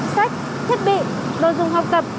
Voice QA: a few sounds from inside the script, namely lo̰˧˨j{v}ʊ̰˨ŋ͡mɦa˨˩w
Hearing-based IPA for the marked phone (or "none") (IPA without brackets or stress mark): z